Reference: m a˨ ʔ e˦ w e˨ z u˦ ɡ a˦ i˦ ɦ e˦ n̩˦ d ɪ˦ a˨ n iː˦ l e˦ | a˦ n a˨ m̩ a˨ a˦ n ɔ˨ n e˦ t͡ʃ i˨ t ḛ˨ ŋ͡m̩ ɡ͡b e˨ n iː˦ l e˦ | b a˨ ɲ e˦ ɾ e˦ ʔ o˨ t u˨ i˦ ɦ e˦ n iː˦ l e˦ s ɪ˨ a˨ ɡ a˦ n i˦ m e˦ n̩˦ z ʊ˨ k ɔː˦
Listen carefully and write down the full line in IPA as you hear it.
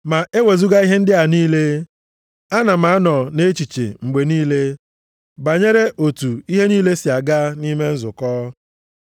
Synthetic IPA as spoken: m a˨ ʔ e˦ w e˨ z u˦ ɡ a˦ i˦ ɦ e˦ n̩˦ d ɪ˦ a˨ n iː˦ l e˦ | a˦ n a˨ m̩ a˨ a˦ n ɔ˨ n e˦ t͡ʃ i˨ t͡ʃ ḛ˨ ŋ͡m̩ ɡ͡b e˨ n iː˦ l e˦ | b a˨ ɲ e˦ ɾ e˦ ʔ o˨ t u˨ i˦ ɦ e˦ n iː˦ l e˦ s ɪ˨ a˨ ɡ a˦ n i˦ m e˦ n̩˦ z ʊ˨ k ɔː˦